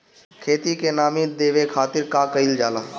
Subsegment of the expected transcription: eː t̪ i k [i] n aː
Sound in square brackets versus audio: incorrect: e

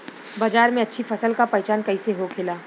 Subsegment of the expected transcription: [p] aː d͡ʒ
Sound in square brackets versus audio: incorrect: b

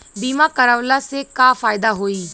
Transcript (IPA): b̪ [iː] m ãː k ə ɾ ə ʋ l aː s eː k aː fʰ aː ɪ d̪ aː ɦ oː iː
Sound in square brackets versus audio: correct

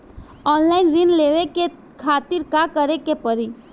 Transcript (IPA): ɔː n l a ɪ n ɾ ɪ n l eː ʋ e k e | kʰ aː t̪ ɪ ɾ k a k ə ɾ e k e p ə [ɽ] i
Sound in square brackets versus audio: incorrect: ɾ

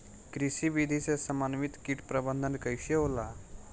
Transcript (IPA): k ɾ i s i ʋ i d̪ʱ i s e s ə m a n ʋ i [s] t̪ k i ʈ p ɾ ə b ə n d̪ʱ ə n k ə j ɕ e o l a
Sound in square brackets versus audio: incorrect: none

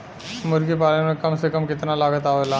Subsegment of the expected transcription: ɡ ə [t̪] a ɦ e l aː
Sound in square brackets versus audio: correct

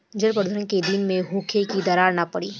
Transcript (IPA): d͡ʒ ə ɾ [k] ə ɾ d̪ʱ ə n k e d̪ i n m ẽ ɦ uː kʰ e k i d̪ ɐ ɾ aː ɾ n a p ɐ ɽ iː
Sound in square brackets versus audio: incorrect: p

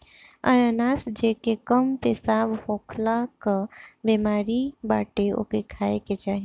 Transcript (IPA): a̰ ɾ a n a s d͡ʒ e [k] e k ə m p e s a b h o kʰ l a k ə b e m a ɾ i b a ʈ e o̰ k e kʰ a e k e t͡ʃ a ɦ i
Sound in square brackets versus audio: correct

